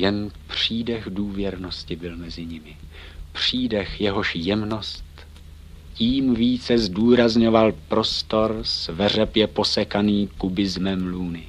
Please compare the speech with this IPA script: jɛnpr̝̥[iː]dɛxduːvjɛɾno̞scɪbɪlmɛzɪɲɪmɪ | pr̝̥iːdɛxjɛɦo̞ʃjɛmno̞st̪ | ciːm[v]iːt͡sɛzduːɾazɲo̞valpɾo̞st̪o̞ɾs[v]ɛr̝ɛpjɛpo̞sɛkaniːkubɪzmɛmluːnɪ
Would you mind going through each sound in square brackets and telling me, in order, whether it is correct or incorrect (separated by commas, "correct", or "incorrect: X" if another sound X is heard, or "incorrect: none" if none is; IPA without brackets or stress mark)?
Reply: correct, correct, correct